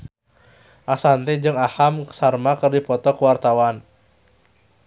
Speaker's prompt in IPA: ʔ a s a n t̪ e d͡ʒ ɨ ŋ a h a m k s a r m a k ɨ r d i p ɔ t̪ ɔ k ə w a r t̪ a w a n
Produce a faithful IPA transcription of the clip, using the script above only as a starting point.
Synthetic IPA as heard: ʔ a s a n t̪ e d͡ʒ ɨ ŋ a h a m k s a r m a k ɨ r d i p ɔ t̪ ɔ k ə w a r t̪ a w a n